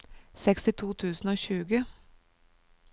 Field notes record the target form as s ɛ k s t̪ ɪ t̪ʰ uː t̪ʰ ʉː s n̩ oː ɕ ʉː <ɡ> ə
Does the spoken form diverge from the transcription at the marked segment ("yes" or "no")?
no